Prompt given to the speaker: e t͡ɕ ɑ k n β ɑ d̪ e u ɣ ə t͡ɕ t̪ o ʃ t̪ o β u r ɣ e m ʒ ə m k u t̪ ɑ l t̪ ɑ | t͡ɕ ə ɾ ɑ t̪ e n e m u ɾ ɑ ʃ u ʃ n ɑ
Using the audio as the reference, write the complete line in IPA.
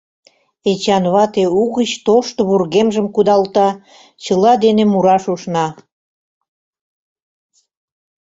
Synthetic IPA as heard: e t͡ɕ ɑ n β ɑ t̪ e u ɣ ə t͡ɕ t̪ o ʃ t̪ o β u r ɣ e m ʒ ə m k u d̪ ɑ l t̪ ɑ | t͡ɕ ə l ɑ d̪ e n e m u ɾ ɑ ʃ u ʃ n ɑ